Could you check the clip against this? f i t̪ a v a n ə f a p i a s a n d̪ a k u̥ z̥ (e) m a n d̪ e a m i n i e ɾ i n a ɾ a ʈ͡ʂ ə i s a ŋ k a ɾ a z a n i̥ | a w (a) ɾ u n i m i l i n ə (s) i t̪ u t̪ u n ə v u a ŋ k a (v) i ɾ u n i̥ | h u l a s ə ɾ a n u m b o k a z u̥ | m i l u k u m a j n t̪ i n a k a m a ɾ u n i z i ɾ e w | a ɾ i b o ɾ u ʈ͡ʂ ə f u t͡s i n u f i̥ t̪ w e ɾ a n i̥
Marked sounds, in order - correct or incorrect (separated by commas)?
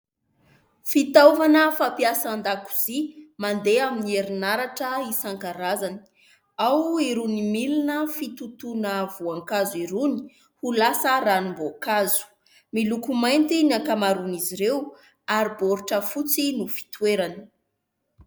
incorrect, incorrect, incorrect, incorrect